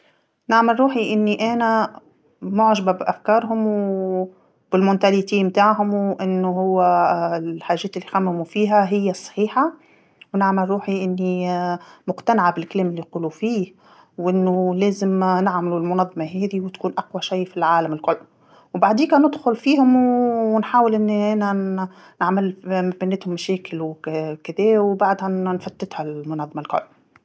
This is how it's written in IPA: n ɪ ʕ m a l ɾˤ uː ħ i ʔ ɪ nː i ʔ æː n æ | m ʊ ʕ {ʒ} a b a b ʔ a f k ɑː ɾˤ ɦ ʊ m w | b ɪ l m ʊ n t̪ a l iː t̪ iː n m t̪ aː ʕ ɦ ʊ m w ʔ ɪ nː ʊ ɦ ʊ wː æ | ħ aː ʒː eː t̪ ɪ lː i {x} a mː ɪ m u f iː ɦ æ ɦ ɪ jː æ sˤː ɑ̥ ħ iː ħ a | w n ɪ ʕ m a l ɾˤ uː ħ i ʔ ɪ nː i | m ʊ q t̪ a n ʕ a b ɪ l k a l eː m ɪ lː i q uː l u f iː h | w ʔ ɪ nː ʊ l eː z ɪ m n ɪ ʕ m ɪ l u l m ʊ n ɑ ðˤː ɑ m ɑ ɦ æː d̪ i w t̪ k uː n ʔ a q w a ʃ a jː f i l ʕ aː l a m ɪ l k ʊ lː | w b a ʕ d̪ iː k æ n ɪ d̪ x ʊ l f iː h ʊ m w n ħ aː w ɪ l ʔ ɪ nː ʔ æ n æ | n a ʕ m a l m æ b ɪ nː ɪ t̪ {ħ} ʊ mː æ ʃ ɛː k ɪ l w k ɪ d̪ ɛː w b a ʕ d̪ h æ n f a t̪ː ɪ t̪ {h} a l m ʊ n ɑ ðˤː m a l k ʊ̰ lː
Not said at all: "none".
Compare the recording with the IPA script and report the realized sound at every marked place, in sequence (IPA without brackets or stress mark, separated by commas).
ʒ, x, h, h